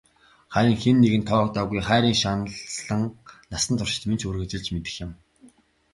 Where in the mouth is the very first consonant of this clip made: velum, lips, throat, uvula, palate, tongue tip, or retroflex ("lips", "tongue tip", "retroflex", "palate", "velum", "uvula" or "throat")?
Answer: uvula